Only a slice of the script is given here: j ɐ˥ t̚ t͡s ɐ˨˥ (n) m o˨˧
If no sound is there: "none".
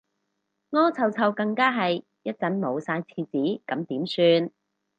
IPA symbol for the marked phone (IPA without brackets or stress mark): n